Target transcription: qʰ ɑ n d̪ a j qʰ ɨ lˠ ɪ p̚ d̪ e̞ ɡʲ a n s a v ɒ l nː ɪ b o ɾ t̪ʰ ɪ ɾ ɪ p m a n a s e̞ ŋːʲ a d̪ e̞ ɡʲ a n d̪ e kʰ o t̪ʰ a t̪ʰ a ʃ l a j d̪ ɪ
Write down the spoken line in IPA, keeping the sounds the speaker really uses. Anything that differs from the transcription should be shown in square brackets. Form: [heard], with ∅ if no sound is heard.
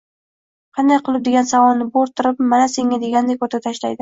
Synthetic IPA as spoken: qʰ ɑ n d̪ a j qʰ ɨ lˠ ɪ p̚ d̪ e̞ ɡʲ a n s a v ɒ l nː ɪ b o ɾ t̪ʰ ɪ ɾ ɪ p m a n a s e̞ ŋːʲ a d̪ e̞ ɡʲ a n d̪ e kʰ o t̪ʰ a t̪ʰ a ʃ l a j d̪ ɪ